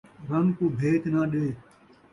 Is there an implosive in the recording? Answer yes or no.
yes